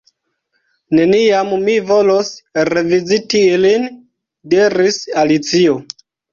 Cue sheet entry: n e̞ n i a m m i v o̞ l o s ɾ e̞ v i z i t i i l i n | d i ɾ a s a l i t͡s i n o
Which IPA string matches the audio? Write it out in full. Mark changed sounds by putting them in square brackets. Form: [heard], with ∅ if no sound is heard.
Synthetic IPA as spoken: n e̞ n i a m m i v o̞ l o s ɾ e̞ v i z i t i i l i n | d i ɾ [i] s a l i t͡s i [∅] o